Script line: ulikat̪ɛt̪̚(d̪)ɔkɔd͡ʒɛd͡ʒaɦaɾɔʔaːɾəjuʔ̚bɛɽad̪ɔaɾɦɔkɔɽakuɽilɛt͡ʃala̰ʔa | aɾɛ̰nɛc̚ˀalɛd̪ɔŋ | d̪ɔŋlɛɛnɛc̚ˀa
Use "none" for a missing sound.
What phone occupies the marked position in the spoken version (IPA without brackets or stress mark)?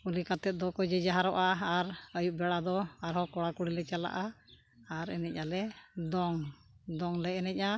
d̪